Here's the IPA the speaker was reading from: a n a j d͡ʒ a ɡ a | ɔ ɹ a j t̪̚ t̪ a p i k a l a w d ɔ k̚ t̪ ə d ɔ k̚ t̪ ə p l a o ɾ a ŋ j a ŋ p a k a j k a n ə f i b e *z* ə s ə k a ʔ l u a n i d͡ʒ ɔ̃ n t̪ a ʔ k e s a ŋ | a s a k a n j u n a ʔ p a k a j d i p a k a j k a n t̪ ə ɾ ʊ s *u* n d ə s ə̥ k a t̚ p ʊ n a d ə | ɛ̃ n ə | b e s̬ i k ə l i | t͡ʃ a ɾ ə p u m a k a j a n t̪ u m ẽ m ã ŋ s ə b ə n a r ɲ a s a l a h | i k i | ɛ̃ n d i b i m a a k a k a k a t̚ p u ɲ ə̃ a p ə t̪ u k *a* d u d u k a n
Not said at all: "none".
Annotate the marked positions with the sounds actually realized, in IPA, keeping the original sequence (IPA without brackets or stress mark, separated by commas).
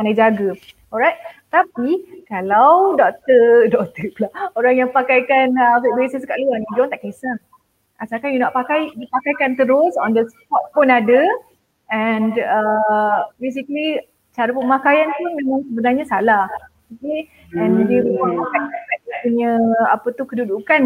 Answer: s, ɔ, ə